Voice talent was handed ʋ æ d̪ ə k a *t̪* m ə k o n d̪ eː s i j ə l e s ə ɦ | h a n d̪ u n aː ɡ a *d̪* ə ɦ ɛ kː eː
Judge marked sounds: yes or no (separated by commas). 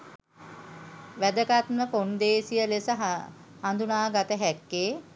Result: yes, no